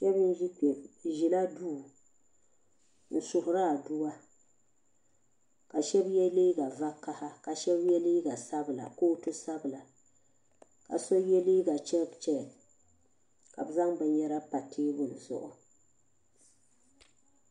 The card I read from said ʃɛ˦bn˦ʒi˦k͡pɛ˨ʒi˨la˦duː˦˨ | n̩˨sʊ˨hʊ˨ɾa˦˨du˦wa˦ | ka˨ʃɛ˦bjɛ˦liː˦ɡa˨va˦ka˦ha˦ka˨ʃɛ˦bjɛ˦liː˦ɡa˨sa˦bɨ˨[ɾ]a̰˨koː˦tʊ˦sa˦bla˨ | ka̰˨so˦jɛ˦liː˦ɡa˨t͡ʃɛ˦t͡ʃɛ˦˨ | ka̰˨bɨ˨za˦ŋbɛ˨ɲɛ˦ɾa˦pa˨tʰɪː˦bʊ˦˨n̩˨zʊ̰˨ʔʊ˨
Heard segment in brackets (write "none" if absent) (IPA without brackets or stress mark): l